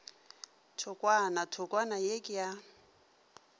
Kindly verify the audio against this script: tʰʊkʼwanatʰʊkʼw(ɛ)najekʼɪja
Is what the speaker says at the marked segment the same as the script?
no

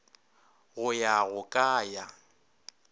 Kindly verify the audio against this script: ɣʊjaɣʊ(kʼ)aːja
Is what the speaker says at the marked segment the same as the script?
yes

